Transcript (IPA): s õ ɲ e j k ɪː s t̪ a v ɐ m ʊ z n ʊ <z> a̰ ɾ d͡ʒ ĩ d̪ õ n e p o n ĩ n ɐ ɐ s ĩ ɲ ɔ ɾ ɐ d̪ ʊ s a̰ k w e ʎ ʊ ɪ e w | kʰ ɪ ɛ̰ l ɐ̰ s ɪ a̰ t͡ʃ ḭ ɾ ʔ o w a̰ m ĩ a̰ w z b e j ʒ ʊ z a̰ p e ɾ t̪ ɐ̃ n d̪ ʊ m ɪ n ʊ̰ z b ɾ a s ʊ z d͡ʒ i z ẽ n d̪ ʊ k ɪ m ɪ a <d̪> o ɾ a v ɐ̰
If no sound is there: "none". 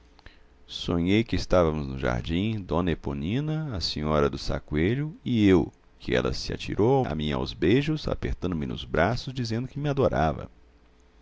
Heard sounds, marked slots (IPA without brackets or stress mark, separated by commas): ʒ, d̪